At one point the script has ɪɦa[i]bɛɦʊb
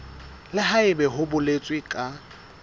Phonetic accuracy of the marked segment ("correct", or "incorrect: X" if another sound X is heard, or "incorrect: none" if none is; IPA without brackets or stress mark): incorrect: ɪ